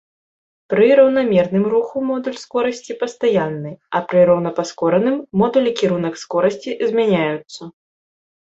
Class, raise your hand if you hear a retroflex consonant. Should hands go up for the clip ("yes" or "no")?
no